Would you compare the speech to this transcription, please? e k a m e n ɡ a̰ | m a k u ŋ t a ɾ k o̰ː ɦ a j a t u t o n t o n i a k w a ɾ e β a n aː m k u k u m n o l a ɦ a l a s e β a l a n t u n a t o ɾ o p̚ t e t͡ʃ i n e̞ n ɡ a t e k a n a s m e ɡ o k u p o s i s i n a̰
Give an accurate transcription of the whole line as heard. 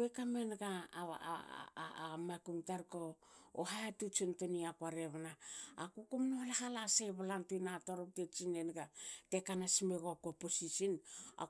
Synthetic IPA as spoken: e k a m e n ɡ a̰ | m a k u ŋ t a ɾ k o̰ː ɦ a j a t u t͡ʃ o n t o n i a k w a ɾ e β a n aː k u k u m n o l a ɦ a l a s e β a l a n t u n a t o ɾ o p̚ t e t͡ʃ i n e̞ n ɡ a t e k a n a s m e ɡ o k o p o s i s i n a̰